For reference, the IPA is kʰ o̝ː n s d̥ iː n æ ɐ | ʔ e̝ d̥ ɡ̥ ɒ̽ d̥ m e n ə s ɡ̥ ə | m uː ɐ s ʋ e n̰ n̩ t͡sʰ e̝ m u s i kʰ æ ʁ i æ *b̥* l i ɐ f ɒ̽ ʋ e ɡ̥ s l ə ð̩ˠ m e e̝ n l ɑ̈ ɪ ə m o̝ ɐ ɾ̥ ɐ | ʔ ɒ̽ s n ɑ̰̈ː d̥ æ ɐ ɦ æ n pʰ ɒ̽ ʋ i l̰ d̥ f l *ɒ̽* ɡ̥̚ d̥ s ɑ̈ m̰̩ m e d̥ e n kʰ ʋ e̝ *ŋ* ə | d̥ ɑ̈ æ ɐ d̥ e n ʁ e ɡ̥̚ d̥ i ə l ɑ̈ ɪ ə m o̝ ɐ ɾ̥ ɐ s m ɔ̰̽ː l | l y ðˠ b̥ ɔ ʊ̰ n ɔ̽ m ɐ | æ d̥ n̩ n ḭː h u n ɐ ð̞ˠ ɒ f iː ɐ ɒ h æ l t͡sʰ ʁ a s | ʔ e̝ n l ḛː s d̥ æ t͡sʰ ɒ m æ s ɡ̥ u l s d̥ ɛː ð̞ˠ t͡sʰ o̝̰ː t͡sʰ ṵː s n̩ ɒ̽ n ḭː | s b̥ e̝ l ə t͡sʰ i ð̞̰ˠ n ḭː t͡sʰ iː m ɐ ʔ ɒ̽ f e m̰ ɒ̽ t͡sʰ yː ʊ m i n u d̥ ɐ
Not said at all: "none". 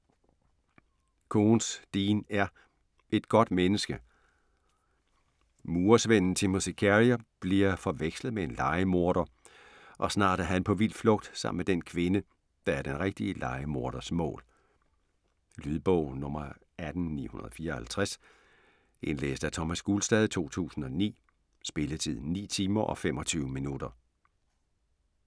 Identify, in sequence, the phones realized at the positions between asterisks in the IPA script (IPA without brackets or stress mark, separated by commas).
b̥, ɔ̽, n